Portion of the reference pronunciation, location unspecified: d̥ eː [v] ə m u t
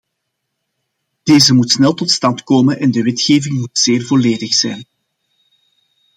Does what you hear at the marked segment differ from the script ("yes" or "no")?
yes